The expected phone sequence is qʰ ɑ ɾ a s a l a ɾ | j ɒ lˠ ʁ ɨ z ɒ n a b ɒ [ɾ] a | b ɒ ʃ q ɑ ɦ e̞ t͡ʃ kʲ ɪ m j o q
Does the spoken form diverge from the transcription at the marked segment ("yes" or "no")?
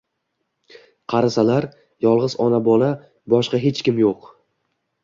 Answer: yes